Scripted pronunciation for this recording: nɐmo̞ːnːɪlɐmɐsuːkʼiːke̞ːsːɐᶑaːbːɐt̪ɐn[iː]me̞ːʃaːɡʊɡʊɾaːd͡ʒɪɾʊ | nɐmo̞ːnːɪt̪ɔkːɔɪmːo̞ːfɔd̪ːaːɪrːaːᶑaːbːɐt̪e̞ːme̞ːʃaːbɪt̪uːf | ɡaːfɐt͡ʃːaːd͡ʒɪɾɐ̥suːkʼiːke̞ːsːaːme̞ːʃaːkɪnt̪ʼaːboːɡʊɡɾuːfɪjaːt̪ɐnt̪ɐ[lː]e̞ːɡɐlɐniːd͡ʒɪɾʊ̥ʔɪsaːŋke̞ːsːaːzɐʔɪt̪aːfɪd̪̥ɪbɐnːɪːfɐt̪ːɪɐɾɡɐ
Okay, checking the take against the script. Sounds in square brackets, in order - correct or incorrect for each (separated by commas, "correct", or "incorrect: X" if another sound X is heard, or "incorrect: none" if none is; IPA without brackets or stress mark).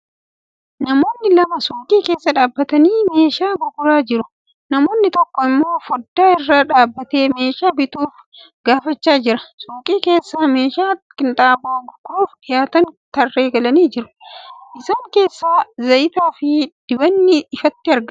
correct, incorrect: rː